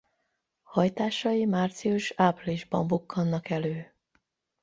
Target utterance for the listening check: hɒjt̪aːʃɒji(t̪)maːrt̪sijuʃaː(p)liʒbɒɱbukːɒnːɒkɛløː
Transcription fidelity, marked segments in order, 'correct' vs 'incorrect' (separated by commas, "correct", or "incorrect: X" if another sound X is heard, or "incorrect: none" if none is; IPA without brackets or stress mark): incorrect: none, correct